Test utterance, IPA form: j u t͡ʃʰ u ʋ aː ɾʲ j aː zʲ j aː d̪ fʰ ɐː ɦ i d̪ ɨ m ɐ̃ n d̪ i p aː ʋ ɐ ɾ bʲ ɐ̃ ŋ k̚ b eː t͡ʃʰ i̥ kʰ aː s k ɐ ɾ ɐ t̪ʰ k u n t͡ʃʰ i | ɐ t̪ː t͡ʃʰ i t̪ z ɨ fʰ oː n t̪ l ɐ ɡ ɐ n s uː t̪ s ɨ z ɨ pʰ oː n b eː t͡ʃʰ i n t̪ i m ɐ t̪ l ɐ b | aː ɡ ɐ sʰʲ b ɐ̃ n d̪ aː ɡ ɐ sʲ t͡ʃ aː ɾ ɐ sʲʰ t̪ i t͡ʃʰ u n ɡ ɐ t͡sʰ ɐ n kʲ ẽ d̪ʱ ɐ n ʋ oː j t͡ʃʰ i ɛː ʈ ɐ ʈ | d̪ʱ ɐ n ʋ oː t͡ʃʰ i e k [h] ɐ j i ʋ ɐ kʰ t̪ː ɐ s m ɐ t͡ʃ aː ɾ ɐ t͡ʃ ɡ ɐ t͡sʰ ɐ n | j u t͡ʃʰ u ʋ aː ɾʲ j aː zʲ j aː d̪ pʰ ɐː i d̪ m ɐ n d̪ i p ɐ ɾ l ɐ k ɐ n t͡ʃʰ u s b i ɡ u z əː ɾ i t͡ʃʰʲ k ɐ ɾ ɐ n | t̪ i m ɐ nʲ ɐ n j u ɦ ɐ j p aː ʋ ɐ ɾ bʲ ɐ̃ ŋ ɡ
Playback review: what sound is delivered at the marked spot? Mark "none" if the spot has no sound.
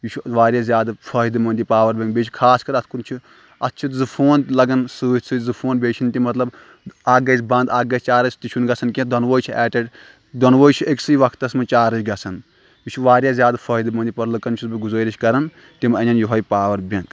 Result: s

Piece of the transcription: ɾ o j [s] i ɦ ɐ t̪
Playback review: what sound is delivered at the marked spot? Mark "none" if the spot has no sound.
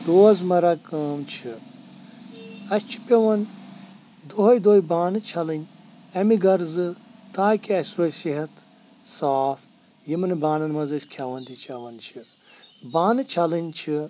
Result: s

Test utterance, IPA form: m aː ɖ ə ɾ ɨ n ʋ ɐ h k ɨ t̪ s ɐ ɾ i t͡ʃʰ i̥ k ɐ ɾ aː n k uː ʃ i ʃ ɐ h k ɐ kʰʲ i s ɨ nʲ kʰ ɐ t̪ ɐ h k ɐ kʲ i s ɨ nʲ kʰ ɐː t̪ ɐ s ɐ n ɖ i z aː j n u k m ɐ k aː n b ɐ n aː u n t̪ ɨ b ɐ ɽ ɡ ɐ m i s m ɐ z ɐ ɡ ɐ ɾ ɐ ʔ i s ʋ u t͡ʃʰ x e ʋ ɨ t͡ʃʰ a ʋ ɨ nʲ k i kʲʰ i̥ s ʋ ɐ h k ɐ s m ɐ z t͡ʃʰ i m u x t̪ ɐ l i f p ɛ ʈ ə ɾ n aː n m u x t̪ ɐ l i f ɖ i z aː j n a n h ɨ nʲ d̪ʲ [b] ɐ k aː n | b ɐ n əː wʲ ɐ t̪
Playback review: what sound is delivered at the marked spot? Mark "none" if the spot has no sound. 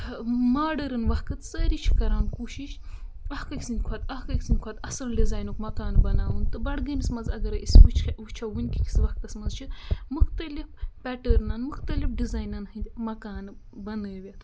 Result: m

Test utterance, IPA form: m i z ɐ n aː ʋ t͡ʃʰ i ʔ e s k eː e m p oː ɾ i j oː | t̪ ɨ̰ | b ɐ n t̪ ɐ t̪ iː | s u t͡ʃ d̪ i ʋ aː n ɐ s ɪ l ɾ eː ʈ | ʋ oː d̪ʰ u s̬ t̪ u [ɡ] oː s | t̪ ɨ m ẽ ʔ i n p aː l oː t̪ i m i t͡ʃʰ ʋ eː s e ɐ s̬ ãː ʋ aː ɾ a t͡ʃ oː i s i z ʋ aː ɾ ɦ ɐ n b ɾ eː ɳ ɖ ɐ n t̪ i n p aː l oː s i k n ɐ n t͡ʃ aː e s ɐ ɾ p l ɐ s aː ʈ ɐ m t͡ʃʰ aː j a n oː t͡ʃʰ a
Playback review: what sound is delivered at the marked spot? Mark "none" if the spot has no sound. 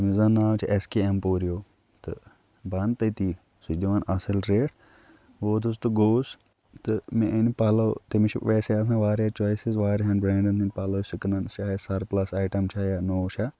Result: ɡ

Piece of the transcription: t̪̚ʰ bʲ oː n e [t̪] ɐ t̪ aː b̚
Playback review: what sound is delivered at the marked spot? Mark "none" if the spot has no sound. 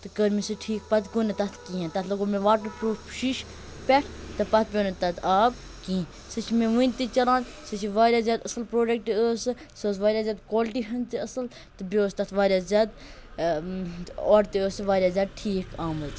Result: t̪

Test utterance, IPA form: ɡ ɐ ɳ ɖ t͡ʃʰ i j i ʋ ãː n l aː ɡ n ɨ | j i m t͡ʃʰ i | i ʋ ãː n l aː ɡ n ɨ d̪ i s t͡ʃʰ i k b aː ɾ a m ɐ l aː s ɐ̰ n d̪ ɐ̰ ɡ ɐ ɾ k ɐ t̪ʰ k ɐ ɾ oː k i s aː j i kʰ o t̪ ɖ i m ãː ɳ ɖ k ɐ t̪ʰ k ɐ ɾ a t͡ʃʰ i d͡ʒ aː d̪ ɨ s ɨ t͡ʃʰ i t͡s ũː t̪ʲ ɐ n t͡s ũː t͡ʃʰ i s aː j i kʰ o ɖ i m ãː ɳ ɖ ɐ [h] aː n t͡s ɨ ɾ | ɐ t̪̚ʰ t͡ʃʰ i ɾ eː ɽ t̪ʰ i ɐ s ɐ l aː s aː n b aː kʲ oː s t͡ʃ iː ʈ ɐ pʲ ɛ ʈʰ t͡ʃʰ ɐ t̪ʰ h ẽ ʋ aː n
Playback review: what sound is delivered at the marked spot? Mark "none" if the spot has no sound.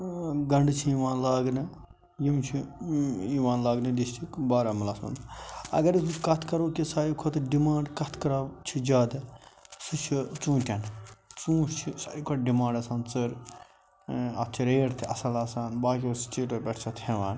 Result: s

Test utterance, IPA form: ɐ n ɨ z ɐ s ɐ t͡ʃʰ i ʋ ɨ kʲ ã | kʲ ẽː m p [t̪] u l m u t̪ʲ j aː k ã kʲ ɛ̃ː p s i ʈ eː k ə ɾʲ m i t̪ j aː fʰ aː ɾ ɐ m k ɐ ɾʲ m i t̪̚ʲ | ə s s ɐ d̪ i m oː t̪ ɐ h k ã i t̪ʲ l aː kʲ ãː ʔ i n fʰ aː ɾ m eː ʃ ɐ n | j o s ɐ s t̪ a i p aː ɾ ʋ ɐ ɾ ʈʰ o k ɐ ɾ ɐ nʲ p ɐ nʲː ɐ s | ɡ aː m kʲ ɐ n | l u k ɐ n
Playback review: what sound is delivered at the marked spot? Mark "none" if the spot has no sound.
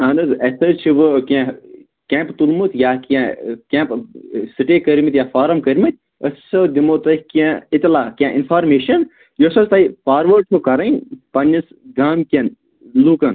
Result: t̪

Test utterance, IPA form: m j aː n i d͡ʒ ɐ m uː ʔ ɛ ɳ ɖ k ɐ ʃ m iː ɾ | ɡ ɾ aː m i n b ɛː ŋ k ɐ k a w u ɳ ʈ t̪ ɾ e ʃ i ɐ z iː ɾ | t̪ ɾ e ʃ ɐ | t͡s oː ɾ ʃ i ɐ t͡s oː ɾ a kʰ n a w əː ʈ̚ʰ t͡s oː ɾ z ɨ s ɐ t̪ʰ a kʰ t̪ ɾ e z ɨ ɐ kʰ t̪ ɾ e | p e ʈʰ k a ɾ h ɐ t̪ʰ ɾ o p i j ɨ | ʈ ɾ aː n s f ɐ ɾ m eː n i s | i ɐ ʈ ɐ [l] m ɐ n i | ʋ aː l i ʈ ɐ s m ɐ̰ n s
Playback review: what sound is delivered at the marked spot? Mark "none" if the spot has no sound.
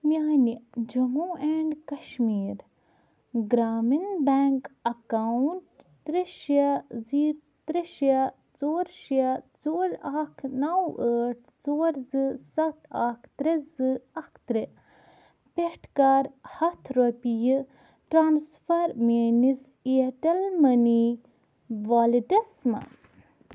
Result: l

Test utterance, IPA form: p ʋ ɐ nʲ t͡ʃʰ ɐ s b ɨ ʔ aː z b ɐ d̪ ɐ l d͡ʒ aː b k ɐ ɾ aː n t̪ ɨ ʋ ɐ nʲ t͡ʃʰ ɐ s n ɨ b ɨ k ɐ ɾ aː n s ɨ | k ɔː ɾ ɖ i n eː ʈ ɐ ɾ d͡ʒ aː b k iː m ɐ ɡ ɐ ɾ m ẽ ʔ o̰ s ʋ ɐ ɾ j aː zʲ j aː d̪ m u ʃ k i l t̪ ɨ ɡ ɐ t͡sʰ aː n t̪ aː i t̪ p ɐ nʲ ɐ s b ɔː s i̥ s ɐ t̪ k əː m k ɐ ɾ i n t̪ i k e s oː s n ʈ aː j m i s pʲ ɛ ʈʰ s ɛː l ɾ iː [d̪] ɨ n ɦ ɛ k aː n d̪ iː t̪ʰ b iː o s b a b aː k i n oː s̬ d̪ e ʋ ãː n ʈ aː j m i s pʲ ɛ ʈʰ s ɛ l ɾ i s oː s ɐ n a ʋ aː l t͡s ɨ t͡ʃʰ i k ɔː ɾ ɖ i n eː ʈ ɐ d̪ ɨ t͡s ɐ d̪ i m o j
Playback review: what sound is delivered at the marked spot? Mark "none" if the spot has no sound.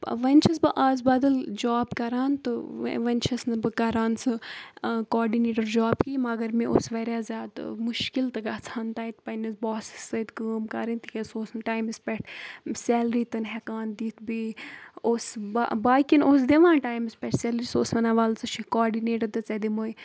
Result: t̪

